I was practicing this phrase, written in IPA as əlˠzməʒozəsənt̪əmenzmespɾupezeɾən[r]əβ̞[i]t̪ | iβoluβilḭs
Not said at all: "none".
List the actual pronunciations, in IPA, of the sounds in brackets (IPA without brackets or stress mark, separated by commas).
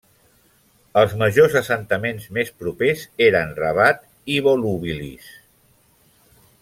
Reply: r, a